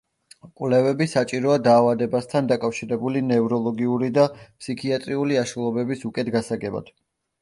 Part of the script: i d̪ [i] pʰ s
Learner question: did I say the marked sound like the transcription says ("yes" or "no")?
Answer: no